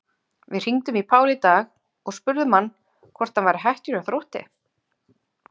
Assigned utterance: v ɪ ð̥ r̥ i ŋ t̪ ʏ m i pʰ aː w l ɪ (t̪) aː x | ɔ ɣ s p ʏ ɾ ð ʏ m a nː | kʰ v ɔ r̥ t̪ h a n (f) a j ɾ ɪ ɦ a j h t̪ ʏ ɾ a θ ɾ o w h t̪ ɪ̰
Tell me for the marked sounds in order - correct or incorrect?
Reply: correct, incorrect

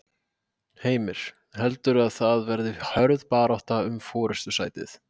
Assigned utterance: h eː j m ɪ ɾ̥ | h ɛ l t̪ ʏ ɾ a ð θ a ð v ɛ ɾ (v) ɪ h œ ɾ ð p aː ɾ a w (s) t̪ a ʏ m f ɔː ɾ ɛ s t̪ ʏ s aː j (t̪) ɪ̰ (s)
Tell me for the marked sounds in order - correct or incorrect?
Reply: incorrect, incorrect, correct, incorrect

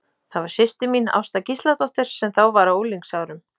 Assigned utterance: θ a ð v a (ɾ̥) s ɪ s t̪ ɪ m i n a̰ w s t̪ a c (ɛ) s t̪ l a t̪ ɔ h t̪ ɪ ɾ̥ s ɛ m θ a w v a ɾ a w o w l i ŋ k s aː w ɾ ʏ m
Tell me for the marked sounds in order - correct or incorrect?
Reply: correct, incorrect

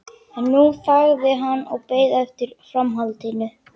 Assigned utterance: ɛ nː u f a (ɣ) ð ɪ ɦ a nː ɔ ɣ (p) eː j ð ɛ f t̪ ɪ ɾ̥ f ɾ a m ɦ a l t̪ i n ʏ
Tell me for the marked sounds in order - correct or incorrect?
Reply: correct, correct

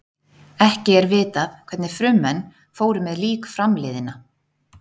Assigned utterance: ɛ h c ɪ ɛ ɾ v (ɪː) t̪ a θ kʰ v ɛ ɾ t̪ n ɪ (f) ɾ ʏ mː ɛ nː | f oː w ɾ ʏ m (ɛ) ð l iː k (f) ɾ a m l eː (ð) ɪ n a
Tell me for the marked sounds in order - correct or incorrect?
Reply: correct, correct, correct, correct, correct

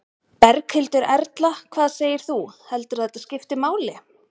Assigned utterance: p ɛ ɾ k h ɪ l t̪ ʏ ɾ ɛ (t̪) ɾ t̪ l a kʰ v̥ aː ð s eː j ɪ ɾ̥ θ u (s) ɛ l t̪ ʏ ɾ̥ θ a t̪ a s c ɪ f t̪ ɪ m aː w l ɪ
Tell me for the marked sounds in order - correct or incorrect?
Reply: incorrect, incorrect

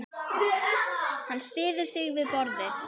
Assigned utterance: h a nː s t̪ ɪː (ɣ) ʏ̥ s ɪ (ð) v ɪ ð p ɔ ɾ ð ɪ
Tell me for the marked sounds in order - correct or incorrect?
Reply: incorrect, incorrect

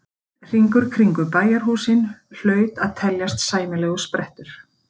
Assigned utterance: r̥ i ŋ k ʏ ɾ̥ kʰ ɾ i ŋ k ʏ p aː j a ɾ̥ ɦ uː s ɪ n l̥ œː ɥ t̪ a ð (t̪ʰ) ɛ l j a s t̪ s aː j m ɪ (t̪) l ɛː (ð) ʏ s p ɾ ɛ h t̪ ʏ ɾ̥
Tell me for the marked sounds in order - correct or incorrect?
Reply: correct, incorrect, incorrect

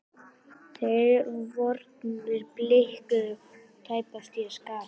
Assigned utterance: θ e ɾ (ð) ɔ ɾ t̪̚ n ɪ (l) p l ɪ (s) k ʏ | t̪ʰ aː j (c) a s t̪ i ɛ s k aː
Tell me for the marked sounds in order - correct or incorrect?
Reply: incorrect, incorrect, incorrect, incorrect

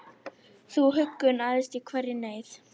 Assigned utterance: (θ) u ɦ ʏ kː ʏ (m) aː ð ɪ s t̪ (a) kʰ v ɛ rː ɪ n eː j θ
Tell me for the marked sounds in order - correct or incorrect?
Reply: correct, incorrect, incorrect

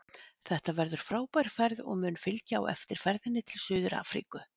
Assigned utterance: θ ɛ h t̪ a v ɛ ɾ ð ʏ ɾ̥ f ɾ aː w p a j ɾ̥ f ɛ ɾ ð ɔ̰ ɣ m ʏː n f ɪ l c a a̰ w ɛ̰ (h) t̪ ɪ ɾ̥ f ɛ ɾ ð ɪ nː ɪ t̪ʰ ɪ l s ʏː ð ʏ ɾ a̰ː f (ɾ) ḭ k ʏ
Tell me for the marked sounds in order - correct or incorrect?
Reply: incorrect, correct

